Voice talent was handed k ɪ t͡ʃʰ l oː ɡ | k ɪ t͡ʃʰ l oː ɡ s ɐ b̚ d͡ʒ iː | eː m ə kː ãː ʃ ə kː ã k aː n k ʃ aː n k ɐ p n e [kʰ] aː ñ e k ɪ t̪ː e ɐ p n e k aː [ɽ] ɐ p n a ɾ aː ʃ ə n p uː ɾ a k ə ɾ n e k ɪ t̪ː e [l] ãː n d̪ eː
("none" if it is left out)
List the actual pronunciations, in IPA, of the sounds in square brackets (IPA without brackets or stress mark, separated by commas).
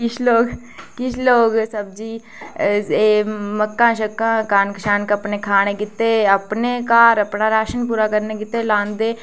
kʰ, ɾ, l